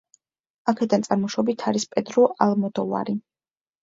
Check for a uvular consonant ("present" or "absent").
absent